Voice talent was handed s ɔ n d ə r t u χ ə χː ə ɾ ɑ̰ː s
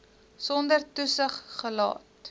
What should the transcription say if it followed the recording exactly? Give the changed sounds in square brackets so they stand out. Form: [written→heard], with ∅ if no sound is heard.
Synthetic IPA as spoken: s ɔ n d ə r t u [χ→s] ə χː ə [ɾ→l] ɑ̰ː [s→t]